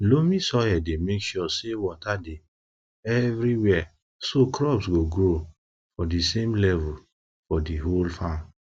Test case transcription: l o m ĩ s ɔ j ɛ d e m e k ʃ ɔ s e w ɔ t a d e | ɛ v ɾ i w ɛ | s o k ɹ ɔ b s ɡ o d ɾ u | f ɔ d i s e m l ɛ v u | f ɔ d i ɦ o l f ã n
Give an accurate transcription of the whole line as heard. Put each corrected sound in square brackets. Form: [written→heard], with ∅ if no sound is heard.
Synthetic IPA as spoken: l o m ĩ s ɔ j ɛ d e m e k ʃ ɔ s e w ɔ t a d e | ɛ v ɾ i w ɛ | s o k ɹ ɔ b s ɡ o [d→ɡ] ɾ [u→o] | f ɔ d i s e m l ɛ v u | f ɔ d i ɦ o l f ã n